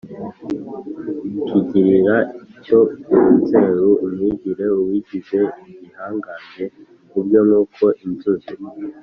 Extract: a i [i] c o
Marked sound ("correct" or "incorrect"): correct